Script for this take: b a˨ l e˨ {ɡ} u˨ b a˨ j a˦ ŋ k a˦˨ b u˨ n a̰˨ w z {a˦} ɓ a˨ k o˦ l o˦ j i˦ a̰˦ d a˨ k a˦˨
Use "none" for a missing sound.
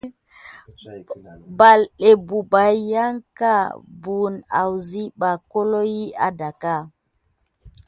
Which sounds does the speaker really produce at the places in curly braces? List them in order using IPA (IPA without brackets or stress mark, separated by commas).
b, i˦